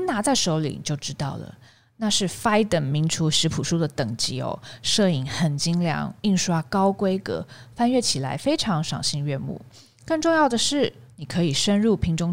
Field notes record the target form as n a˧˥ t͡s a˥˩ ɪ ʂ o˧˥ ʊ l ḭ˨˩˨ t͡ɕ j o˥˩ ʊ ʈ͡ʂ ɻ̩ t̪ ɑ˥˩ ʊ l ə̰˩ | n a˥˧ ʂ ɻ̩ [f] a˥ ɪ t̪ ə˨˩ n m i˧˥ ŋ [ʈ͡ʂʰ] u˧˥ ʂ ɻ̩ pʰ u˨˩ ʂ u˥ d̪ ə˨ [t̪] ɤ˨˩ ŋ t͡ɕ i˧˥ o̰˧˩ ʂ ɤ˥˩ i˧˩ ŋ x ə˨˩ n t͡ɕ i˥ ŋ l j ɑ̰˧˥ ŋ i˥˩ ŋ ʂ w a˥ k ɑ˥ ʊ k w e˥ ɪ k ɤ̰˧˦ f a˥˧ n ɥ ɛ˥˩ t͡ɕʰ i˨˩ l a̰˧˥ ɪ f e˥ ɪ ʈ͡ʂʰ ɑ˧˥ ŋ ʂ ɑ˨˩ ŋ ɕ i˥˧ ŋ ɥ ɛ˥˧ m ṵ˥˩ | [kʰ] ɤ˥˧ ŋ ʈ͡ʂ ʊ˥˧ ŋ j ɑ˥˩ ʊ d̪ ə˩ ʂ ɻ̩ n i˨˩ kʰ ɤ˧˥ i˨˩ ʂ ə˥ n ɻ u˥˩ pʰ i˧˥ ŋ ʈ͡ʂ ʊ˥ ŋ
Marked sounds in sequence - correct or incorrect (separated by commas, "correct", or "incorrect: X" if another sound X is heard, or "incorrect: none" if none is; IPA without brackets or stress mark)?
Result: correct, correct, correct, incorrect: k